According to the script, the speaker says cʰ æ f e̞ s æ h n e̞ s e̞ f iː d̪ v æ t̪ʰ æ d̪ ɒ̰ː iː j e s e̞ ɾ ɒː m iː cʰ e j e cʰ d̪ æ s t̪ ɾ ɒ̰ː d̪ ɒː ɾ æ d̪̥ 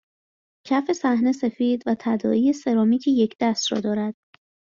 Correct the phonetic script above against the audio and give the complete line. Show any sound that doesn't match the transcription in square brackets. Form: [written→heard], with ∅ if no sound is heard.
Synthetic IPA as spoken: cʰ æ f e̞ s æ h n e̞ s e̞ f iː d̪ v æ t̪ʰ æ d̪ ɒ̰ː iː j e s e̞ ɾ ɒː m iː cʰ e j e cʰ d̪ æ s t̪ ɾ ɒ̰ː d̪ ɒː ɾ æ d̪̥

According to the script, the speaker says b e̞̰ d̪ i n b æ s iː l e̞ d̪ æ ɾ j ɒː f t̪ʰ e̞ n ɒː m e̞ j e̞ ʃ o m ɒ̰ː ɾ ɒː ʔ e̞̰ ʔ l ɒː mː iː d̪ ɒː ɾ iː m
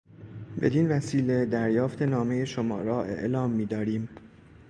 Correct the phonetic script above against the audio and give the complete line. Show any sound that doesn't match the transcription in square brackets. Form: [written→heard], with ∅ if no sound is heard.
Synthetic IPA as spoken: b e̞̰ d̪ i n [b→v] æ s iː l e̞ d̪ æ ɾ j ɒː f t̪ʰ e̞ n ɒː m e̞ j e̞ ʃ o m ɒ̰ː ɾ ɒː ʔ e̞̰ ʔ l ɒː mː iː d̪ ɒː ɾ iː m

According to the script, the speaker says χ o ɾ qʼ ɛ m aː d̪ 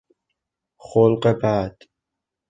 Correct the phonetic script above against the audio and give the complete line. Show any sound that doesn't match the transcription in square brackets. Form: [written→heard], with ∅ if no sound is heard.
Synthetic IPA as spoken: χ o [ɾ→l] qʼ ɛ [m→b] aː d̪

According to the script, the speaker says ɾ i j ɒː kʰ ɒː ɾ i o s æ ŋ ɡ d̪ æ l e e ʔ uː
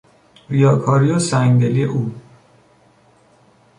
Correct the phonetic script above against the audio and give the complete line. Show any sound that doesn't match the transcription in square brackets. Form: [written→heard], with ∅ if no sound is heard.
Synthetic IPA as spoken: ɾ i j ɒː kʰ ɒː ɾ i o s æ ŋ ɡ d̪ [æ→e] l [e→i] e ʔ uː

